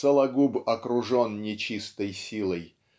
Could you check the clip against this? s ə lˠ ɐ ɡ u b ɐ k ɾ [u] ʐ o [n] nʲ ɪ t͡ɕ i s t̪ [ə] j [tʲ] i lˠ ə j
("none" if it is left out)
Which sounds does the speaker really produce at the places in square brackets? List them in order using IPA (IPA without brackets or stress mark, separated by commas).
ʊ, n, ə, sʲ